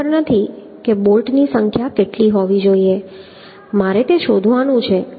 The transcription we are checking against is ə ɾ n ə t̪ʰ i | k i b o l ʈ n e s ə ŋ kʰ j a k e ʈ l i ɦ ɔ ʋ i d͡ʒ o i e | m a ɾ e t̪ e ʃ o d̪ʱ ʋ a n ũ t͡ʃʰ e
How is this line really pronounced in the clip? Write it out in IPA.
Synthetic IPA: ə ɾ n ə t̪ʰ i | k e b o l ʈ n i s ə ŋ kʰ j a k e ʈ l i ɦ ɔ ʋ i d͡ʒ o i e | m a ɾ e t̪ e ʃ o d̪ʱ ʋ a n ũ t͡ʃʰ e